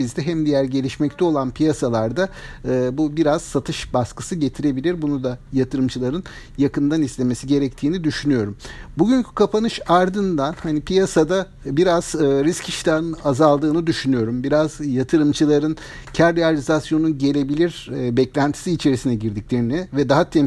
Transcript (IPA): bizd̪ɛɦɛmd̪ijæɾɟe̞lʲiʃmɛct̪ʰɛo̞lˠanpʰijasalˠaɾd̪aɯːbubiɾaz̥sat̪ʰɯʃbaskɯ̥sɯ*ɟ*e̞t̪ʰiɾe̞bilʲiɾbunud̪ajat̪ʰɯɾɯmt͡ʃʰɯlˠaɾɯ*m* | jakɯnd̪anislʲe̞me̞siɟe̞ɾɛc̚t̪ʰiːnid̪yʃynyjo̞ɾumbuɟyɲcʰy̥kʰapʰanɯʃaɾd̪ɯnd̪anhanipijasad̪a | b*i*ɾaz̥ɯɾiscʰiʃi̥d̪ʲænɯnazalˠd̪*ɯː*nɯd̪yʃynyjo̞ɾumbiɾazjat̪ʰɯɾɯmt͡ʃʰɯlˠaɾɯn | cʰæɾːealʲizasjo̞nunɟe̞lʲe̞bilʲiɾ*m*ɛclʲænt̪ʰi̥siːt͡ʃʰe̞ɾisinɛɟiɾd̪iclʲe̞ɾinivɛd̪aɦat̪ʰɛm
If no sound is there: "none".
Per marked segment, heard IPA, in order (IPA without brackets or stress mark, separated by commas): ɟ, n, i, ɯː, b